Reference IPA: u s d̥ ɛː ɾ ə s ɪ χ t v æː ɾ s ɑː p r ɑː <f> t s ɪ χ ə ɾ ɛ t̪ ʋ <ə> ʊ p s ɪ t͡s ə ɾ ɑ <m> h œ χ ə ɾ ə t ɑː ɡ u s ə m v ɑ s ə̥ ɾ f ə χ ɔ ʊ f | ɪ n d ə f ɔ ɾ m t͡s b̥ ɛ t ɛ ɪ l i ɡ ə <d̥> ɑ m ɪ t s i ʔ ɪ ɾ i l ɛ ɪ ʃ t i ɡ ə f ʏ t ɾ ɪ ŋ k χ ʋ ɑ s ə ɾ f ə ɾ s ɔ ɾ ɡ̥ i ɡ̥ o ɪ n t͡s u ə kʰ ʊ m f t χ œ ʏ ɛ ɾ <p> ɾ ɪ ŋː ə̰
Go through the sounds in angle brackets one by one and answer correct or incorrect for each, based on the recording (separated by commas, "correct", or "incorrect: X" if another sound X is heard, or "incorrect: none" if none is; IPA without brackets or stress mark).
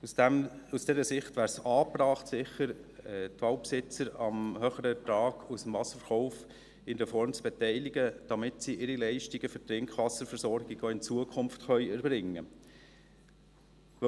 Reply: incorrect: χ, incorrect: ɑ, correct, correct, incorrect: b